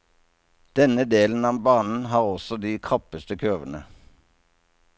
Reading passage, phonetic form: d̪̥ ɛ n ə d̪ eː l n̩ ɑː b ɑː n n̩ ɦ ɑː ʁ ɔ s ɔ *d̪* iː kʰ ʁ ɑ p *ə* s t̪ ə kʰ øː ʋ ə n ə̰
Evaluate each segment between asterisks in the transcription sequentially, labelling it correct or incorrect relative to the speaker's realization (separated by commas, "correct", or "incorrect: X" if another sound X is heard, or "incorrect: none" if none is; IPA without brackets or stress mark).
correct, correct